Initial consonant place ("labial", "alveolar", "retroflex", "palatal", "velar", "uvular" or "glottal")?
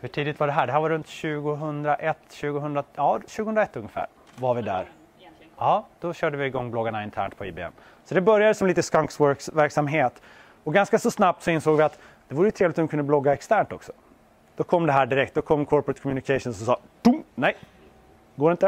glottal